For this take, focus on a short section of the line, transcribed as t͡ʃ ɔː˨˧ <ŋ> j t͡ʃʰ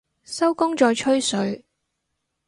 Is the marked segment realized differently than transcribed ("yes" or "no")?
yes